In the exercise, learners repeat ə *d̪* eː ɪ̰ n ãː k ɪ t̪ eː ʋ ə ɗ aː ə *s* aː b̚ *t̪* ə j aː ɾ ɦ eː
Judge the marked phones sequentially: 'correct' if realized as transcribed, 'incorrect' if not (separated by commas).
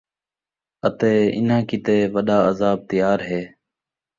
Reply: incorrect, incorrect, correct